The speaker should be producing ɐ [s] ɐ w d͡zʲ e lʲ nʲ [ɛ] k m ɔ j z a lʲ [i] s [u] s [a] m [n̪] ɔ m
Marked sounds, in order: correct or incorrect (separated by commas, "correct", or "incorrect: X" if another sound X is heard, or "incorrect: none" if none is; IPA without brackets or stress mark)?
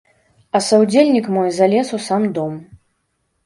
correct, incorrect: i, incorrect: ɛ, correct, correct, incorrect: d̪